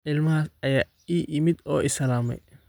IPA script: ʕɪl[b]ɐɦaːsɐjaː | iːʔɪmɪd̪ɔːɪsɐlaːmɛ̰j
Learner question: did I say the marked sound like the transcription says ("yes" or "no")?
no